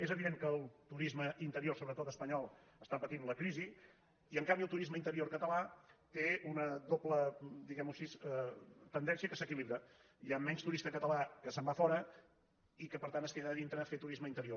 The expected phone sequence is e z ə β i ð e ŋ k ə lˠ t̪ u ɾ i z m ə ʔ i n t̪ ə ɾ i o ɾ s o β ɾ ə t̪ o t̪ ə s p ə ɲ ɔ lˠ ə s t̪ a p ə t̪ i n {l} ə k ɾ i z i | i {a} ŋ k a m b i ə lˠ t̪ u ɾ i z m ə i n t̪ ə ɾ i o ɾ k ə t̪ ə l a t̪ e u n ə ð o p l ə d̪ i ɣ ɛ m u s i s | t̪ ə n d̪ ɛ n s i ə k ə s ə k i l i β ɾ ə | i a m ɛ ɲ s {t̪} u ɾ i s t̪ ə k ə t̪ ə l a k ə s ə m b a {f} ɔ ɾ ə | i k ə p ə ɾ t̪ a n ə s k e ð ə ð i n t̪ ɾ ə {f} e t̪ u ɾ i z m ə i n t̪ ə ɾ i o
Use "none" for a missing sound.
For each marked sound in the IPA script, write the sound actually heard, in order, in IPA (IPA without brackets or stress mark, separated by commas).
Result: l, ə, t̪, f, f